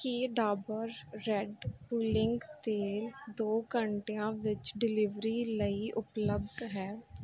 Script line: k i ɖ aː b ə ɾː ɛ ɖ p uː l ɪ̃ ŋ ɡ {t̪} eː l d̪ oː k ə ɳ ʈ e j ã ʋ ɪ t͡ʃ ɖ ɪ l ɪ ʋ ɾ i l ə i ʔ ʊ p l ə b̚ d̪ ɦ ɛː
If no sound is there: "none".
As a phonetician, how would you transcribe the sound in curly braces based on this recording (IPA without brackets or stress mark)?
t̪